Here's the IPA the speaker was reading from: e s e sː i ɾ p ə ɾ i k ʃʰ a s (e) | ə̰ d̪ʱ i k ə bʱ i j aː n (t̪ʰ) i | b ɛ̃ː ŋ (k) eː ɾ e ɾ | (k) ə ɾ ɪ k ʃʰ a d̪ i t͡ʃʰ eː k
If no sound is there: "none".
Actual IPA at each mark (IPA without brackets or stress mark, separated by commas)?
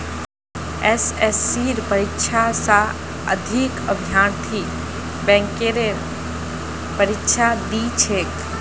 a, t̪ʰ, k, p